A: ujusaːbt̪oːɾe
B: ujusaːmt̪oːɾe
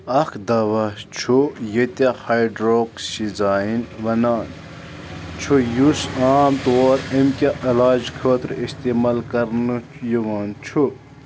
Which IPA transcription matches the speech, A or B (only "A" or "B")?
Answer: B